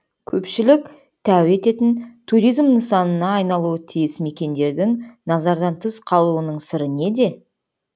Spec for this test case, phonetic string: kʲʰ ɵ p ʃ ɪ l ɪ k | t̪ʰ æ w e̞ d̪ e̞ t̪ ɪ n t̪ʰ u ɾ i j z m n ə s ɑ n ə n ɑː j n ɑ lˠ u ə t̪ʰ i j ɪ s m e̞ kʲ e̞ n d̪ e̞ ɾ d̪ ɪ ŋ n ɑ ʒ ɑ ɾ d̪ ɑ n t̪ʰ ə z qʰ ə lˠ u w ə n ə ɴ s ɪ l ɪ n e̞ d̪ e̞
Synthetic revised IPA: kʲʰ ɵ p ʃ ɪ l ɪ k | t̪ʰ æ w e̞ t̪ e̞ t̪ ɪ n t̪ʰ u ɾ i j z m n ə s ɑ n ə n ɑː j n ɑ lˠ u ə t̪ʰ i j ɪ s m e̞ kʲ e̞ n d̪ e̞ ɾ d̪ ɪ ŋ n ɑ z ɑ ɾ d̪ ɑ n t̪ʰ ə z qʰ ɑ lˠ u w ə n ə ɴ s ɪ ɾ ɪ n e̞ d̪ e̞